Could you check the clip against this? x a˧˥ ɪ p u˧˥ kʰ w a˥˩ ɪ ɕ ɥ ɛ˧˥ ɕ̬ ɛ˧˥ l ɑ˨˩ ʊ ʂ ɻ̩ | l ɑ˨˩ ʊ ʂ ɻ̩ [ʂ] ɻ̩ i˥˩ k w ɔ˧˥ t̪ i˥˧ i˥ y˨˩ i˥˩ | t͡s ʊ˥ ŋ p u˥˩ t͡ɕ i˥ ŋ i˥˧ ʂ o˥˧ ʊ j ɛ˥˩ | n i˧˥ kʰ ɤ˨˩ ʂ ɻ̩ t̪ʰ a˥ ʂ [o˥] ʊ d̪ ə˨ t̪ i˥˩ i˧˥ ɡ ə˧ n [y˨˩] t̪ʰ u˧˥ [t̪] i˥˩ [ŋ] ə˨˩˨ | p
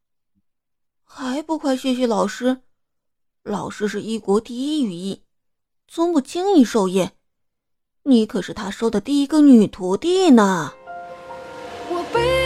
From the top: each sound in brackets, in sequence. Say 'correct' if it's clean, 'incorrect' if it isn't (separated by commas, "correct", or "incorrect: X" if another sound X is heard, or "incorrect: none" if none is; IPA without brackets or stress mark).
correct, correct, correct, correct, incorrect: n